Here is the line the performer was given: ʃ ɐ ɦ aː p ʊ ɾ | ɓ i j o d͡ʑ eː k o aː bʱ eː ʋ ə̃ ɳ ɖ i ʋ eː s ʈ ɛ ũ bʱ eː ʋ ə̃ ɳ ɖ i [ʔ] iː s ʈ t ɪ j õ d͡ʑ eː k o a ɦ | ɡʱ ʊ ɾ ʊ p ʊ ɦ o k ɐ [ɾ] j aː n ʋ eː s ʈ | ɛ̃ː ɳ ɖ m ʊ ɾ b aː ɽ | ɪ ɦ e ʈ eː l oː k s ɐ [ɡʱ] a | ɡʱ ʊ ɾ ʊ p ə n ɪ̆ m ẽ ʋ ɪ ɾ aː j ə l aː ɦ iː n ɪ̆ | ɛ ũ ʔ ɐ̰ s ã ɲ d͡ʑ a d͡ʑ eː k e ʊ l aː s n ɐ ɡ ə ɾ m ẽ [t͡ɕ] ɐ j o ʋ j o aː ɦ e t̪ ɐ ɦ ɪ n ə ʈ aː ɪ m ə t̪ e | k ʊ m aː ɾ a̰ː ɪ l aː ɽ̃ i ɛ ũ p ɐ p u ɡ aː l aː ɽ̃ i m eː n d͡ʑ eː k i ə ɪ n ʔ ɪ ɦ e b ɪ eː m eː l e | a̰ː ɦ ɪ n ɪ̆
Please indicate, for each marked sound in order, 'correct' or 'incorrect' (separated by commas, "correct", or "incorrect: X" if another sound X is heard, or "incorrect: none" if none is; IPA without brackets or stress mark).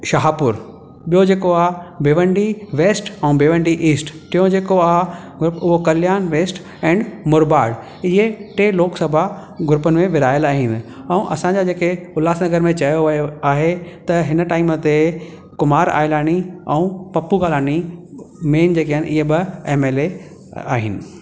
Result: correct, incorrect: l, incorrect: bʱ, correct